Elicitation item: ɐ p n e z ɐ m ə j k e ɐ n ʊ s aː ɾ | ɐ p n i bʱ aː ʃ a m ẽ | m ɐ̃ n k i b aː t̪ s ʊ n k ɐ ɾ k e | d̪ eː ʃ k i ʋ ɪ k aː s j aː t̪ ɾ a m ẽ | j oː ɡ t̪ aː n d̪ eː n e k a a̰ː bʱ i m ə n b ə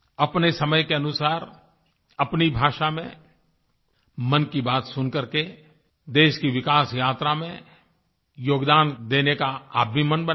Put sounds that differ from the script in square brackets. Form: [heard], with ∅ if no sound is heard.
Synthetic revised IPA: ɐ p n e [s] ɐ m ə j k e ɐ n ʊ s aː ɾ | ɐ p n i bʱ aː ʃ a m ẽ | m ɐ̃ n k i b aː t̪ s ʊ n k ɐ ɾ k e | d̪ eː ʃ k i ʋ ɪ k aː s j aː t̪ ɾ a m ẽ | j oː ɡ [d̪] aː n d̪ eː n e k a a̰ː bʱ i m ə n b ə